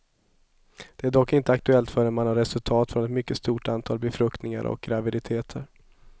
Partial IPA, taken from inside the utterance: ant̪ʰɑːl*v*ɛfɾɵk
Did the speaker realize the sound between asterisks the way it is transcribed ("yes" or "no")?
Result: no